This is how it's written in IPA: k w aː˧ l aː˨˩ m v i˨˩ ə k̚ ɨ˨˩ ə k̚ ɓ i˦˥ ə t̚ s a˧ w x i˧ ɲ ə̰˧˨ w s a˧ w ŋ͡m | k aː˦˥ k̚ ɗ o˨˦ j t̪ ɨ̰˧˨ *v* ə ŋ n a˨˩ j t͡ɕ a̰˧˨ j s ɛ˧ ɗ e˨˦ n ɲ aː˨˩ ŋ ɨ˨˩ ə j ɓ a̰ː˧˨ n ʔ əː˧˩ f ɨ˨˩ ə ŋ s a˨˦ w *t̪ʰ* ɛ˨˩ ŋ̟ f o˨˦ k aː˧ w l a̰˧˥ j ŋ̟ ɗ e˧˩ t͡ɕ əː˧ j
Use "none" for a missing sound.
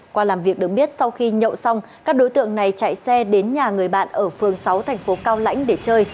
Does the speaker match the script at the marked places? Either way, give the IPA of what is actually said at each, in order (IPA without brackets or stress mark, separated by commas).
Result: none, t̪ʰ